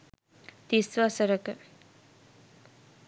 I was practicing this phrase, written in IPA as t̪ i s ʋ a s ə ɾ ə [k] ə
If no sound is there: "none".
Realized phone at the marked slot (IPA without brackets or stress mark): k